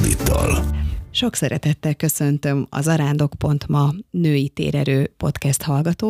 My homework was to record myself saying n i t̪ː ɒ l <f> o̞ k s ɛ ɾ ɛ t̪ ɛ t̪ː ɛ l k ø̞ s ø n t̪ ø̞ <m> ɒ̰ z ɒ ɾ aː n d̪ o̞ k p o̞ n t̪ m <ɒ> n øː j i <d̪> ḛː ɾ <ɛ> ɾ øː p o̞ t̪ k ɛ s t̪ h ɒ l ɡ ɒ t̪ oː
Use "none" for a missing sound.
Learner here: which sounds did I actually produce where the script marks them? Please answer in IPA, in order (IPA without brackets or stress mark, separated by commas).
ʃ, m, ɒ, t̪, ɛ